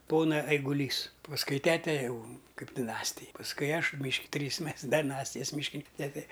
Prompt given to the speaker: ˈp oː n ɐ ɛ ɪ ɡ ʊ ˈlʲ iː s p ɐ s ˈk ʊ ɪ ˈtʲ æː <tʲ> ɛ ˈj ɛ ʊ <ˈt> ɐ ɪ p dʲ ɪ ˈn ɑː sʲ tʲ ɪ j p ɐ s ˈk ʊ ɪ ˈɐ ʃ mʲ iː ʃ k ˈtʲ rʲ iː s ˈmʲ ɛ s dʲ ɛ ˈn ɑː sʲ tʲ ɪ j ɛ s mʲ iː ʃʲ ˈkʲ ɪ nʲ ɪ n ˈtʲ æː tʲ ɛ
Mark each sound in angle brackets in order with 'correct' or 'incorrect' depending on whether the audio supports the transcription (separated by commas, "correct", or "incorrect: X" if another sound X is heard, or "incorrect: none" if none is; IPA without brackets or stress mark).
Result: correct, incorrect: k